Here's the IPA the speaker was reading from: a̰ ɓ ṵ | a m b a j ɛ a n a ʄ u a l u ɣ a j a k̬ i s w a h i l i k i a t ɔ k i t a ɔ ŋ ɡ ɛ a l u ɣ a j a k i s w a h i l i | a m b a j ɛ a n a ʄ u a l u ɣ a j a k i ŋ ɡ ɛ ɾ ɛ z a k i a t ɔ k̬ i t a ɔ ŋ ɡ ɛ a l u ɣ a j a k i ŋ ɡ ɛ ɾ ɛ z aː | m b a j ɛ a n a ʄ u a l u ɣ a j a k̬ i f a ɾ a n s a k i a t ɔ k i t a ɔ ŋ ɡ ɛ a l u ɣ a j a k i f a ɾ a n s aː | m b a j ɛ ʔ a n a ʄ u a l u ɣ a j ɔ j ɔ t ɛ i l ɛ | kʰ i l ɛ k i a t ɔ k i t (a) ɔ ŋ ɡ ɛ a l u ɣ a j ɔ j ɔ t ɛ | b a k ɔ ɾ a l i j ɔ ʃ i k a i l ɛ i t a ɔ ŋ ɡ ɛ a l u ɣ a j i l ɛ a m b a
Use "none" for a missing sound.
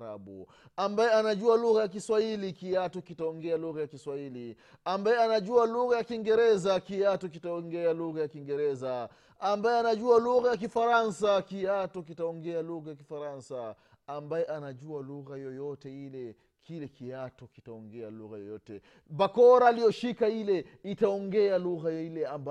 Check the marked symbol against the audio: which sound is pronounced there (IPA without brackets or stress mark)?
a